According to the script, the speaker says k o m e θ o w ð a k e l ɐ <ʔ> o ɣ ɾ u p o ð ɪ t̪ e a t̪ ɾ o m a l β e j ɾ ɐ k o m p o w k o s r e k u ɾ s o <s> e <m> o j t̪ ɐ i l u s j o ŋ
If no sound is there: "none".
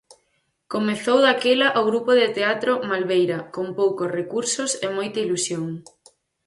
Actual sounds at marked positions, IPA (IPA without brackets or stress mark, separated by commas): ʔ, s, m